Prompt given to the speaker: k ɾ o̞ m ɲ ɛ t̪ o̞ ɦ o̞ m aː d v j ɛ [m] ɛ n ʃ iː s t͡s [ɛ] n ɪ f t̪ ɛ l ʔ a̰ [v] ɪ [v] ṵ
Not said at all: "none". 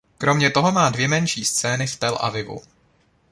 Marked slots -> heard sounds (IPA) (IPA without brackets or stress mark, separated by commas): m, ɛː, v, v